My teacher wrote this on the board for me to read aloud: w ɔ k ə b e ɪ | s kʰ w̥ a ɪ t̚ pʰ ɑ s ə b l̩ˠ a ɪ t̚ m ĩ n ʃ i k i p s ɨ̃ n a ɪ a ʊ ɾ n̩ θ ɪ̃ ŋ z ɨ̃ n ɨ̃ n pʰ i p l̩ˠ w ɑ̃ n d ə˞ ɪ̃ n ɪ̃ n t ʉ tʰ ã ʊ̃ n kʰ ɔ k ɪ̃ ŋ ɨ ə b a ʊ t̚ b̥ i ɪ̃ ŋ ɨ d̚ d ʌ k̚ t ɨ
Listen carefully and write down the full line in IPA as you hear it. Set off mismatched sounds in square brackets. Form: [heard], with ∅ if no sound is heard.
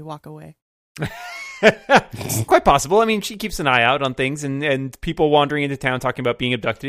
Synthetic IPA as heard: w ɔ k ə [w] e ɪ | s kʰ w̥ a ɪ t̚ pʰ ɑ s ə b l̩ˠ a ɪ [∅] m ĩ n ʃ i k i p s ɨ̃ n a ɪ a ʊ ɾ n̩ θ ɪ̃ ŋ z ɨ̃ n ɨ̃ n pʰ i p l̩ˠ w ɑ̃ n d ə˞ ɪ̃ [ŋ] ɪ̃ n t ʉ tʰ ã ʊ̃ n [tʰ] ɔ k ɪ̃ ŋ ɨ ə b a ʊ t̚ b̥ i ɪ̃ ŋ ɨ [b̚] d ʌ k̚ t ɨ